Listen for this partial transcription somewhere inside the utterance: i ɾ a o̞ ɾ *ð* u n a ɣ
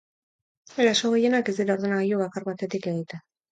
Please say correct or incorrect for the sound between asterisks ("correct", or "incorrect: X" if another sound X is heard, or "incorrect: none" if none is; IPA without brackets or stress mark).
correct